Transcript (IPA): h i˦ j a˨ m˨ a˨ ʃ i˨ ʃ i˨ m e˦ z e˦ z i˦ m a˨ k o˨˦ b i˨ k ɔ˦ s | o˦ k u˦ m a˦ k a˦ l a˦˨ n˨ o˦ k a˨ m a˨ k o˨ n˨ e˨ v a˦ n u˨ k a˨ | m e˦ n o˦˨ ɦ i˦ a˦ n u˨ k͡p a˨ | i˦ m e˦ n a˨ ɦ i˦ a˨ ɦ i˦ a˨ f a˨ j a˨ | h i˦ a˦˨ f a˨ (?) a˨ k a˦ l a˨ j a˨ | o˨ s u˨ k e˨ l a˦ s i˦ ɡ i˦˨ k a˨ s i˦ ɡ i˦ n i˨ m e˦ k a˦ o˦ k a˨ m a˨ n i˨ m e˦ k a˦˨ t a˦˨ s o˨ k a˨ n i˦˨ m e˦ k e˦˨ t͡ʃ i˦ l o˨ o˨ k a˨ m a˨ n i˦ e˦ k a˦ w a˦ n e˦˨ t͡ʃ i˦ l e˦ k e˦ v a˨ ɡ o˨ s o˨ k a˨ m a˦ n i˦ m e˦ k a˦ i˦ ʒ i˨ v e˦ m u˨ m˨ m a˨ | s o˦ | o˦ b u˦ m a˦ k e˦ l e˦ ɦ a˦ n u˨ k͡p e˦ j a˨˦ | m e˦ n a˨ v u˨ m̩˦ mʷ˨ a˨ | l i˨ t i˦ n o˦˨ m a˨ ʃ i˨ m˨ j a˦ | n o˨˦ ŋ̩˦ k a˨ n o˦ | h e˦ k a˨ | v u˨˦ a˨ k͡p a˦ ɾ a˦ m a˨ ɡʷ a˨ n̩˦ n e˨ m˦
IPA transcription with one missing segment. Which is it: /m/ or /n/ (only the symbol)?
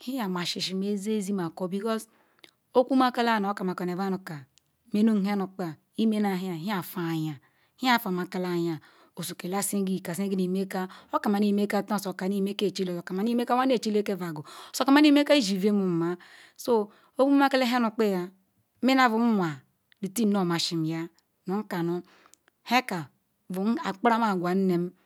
m